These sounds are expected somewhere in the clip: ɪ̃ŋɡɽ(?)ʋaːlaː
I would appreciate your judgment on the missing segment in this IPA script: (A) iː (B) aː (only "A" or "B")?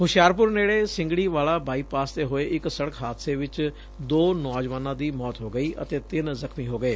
A